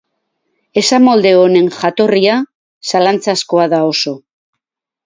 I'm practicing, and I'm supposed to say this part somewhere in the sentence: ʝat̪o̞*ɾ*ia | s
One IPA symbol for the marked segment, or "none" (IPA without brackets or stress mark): r